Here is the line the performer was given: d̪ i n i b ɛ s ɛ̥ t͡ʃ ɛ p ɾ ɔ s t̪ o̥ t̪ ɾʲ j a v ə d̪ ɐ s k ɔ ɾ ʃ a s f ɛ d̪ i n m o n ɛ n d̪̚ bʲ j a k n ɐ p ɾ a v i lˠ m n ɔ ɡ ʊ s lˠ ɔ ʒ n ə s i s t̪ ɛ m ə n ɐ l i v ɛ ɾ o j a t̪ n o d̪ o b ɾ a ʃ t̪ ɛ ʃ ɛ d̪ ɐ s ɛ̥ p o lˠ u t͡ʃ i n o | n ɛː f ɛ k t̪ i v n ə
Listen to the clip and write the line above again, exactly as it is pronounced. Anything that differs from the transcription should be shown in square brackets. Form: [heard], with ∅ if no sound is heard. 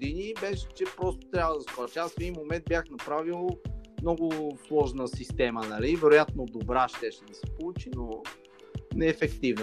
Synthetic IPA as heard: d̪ i n i b ɛ [ʃ] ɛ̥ t͡ʃ ɛ p ɾ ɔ s t̪ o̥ t̪ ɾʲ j a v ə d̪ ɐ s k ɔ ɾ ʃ a s f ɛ d̪ i n m o [m] ɛ n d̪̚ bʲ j a [x] n ɐ p ɾ a v i lˠ m n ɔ ɡ ʊ s lˠ ɔ ʒ n ə s i s t̪ ɛ m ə n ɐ l i v ɛ ɾ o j a t̪ n o d̪ o b ɾ a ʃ t̪ ɛ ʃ ɛ d̪ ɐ s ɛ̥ p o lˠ u t͡ʃ i n o | n ɛː f ɛ k t̪ i v n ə